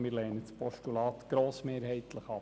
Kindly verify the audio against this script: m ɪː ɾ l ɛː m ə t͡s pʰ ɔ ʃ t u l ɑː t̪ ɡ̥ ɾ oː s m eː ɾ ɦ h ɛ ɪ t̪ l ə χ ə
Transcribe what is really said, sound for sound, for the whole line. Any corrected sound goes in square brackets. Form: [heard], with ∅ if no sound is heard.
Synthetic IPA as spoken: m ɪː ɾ l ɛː [n] ə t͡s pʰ ɔ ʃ t u l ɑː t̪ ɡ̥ ɾ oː s m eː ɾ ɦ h ɛ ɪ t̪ l ə χ [ɑ]